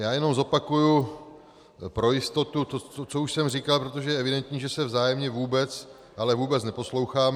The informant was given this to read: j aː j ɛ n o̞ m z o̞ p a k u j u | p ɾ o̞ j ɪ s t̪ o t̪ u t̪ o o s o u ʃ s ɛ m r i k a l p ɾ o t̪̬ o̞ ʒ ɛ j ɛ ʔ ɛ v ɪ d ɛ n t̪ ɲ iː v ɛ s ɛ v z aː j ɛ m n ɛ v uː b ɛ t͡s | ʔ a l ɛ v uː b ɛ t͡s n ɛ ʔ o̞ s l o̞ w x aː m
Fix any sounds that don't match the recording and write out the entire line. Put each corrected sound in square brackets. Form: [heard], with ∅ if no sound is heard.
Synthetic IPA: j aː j ɛ n o̞ m z o̞ p a k u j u | p ɾ o̞ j ɪ s t̪ o t̪ u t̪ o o [t͡s] o u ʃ s ɛ m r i k a l p ɾ o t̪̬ o̞ ʒ ɛ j ɛ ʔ ɛ v ɪ d ɛ n t̪ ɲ iː [ʒ] ɛ s ɛ v z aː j ɛ m [ɲ] ɛ v uː b ɛ t͡s | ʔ a l ɛ v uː b ɛ t͡s n ɛ [p] o̞ s l o̞ w x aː m